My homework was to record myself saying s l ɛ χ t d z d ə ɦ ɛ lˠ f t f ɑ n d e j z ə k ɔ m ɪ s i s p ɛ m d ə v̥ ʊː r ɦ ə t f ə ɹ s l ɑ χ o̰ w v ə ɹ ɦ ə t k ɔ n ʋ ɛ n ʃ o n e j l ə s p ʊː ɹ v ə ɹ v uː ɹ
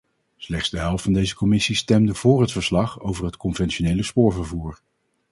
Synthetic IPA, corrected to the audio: s l ɛ χ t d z d ə ɦ ɛ lˠ f t f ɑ n d e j z ə k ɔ m ɪ s i s t ɛ m d ə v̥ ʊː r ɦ ə t f ə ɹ s l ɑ χ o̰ w v ə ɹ ɦ ə t k ɔ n v ɛ n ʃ o n e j l ə s p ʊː ɹ v ə ɹ v uː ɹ